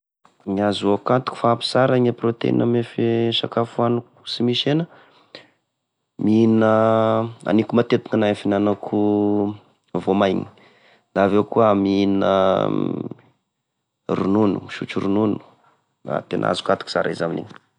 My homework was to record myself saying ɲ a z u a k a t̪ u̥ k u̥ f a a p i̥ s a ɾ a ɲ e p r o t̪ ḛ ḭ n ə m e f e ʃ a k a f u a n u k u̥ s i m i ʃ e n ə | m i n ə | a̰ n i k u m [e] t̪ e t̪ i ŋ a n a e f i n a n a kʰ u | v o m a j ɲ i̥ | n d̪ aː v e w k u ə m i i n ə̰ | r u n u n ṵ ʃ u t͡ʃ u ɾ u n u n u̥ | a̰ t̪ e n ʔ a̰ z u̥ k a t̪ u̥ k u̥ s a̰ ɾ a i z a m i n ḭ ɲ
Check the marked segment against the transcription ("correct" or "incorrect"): incorrect